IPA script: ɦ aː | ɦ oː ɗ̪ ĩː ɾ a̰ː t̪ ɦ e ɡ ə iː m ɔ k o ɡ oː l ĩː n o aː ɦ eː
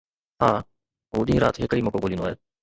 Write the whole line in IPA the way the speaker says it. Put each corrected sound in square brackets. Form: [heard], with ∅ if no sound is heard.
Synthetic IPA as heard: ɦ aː | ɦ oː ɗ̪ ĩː ɾ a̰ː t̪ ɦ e [k] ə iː m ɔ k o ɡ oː l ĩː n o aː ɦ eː